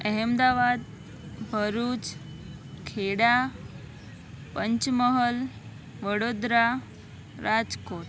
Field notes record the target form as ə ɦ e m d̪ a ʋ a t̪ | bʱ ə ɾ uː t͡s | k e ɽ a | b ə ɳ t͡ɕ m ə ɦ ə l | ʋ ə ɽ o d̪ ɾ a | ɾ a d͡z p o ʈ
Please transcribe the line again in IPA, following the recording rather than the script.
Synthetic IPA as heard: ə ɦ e m d̪ a ʋ a d̪ | bʱ ə ɾ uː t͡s | kʰ e ɽ a | p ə ɲ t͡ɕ m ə ɦ ə l | ʋ ə ɽ o d̪ ɾ a | ɾ a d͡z k o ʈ